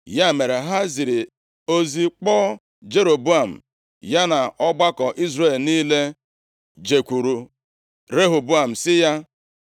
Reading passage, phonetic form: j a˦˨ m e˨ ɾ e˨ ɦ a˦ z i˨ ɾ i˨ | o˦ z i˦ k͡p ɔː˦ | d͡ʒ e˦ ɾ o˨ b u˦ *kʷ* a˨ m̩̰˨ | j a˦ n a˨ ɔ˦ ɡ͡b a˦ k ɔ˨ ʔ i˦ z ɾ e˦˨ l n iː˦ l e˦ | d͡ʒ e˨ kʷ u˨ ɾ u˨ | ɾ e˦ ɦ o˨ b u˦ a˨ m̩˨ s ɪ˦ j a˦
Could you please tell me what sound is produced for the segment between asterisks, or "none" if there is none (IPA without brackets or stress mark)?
none